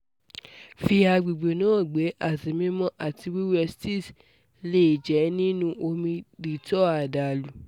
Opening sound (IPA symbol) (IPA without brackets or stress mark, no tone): f